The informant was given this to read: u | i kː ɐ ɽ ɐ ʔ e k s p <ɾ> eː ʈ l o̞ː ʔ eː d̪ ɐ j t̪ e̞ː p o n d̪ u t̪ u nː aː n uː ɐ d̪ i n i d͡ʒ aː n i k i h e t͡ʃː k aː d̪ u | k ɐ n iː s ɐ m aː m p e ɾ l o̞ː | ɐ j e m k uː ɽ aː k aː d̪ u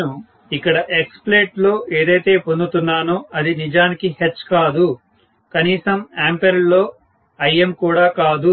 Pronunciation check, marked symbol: incorrect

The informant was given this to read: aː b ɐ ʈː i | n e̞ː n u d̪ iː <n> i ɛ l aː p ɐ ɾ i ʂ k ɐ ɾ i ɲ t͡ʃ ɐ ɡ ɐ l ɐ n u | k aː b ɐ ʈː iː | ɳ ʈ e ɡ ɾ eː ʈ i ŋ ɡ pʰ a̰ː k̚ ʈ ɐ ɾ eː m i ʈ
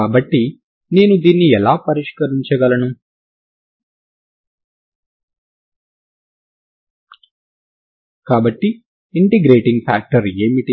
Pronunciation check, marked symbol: incorrect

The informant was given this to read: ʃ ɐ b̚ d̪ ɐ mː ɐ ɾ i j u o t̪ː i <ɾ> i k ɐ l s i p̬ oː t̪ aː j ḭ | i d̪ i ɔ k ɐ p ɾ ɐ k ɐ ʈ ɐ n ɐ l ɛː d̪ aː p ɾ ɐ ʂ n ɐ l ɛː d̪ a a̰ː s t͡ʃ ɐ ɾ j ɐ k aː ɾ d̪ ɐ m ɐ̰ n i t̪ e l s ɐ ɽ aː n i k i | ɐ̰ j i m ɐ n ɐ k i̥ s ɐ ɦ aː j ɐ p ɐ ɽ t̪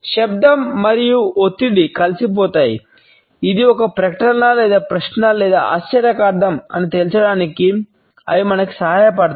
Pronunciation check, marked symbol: incorrect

